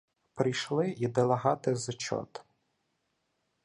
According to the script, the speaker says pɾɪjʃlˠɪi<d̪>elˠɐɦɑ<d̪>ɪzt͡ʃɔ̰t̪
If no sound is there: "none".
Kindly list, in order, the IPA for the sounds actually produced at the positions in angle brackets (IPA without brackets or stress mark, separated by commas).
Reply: d̪, t̪